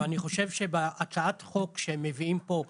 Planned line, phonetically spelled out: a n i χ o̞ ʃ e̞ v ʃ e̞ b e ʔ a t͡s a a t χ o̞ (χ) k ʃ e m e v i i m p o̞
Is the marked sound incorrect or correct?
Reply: incorrect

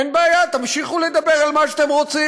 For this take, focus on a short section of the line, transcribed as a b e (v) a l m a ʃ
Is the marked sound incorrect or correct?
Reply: incorrect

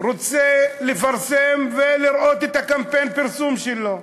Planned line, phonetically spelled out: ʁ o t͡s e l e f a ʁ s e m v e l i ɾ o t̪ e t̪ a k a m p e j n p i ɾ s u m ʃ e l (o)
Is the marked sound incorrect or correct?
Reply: correct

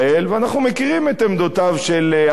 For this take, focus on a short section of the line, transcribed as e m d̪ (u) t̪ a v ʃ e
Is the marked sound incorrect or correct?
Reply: incorrect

